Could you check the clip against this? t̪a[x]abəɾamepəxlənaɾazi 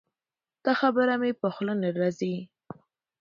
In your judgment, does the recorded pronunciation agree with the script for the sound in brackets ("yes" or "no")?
yes